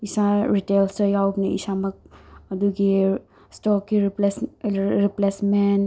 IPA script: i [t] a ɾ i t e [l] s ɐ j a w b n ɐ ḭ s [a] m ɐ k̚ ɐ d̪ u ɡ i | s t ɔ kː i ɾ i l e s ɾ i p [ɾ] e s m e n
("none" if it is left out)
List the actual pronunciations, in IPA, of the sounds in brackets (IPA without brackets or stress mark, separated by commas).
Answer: s, l, a, l